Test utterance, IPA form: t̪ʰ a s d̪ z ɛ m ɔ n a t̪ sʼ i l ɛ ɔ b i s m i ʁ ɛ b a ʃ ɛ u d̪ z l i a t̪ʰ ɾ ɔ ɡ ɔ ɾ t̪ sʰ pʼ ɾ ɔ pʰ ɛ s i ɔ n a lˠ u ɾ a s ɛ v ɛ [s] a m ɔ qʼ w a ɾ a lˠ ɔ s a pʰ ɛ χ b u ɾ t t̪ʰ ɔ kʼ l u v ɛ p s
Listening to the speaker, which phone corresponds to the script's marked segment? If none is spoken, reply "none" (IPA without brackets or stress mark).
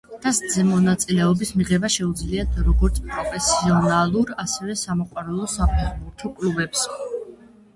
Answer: s